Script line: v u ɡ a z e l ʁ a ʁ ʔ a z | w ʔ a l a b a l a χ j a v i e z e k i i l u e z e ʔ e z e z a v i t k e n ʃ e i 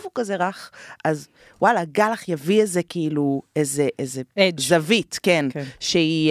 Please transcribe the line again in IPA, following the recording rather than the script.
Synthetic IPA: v u k a z e ʁ a χ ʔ a z | w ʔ a l a ɡ a l a χ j a v i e z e k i i l u e z e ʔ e z e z a v i t k e n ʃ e i